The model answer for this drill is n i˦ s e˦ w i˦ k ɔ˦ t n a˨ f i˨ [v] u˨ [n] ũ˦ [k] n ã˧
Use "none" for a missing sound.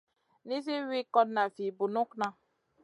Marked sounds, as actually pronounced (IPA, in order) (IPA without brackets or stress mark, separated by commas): b, n, k